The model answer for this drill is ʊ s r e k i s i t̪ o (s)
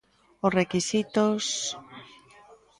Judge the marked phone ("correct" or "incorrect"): correct